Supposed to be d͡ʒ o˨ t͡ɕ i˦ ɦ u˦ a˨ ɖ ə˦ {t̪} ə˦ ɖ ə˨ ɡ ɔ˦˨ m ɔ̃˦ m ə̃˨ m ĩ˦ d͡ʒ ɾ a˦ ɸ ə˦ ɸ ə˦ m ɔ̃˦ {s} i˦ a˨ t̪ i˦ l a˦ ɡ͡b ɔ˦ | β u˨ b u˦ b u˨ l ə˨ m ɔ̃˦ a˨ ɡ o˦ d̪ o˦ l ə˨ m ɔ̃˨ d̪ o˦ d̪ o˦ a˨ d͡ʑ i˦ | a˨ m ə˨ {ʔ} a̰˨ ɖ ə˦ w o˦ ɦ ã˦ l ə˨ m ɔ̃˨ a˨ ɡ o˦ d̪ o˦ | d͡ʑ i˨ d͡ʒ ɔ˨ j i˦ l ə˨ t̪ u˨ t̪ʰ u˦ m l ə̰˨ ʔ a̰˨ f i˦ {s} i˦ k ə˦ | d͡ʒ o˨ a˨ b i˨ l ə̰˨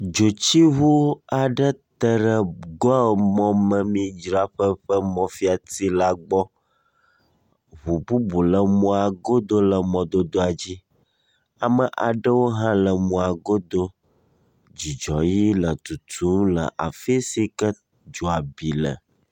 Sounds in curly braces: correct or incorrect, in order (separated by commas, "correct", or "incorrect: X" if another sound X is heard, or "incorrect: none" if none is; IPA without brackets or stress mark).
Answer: correct, incorrect: f, correct, correct